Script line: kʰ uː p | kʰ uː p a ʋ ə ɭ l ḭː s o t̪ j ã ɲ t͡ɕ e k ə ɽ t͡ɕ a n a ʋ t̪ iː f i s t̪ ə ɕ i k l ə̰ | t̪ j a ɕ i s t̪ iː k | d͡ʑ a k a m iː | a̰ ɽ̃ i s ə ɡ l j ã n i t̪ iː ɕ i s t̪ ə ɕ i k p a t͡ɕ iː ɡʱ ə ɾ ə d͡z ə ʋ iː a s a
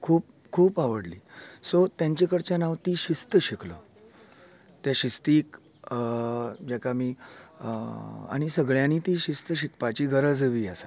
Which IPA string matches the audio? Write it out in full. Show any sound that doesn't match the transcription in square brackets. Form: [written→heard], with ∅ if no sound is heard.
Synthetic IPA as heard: kʰ uː p | kʰ uː p a ʋ ə [ɭ→ɽ] l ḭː s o t̪ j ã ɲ t͡ɕ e k ə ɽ t͡ɕ a n a ʋ t̪ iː [f→ɕ] i s t̪ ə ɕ i k l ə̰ | t̪ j a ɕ i s t̪ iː k | d͡ʑ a k a m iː | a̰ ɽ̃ i s ə ɡ [l→ɭ] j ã n i t̪ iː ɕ i s t̪ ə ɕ i k p a t͡ɕ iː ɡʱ ə ɾ ə d͡z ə ʋ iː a s a